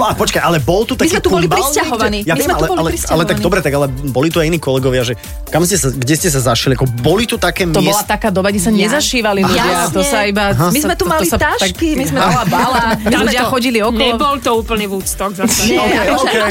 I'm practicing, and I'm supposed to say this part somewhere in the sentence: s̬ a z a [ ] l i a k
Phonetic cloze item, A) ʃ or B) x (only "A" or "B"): A